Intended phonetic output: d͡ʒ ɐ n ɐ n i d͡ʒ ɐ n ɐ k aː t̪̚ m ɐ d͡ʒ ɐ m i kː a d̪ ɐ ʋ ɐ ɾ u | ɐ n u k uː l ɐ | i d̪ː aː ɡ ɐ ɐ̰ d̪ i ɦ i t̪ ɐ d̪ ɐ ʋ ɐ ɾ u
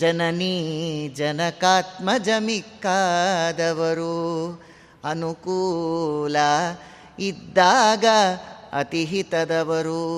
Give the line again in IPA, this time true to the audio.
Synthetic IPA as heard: d͡ʒ ɐ n ɐ n i d͡ʒ ɐ n ɐ k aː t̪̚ m ɐ d͡ʒ ɐ m i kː a d̪ ɐ ʋ ɐ ɾ u | ɐ n u k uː l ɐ | i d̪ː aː ɡ ɐ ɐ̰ t̪ i ɦ i t̪ ɐ d̪ ɐ ʋ ɐ ɾ u